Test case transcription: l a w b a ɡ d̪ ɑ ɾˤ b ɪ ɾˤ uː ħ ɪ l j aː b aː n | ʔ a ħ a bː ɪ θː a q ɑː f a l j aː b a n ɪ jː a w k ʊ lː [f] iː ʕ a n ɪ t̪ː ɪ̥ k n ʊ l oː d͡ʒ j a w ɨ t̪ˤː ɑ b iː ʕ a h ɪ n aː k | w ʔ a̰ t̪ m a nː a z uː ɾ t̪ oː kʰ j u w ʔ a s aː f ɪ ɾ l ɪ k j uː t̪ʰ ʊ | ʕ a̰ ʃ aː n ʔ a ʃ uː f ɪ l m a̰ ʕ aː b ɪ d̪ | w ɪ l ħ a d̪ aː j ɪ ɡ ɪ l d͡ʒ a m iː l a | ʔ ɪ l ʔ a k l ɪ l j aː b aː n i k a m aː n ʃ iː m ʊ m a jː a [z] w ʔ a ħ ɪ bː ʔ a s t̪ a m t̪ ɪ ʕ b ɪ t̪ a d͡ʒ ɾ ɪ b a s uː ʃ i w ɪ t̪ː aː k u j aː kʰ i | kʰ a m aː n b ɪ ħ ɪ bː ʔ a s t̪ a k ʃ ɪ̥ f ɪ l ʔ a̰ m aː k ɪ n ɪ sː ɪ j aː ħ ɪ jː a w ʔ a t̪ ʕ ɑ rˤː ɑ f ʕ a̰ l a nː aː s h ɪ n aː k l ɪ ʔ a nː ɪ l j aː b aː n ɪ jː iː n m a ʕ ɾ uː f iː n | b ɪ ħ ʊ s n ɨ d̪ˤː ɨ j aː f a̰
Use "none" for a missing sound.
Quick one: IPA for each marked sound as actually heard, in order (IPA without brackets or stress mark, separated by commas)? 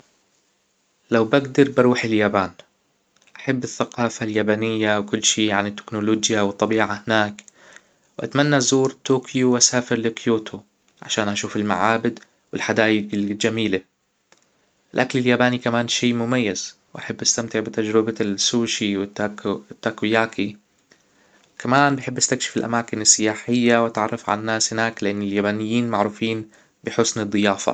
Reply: ʃ, z